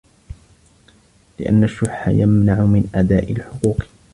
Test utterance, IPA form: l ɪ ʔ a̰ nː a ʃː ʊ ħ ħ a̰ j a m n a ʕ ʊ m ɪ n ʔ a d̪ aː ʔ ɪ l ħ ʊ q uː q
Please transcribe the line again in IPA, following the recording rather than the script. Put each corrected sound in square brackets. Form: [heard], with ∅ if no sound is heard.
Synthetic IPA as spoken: l ɪ ʔ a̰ nː a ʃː ʊ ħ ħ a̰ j a m n a ʕ ʊ m ɪ n ʔ a d̪ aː ʔ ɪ l ħ ʊ q uː q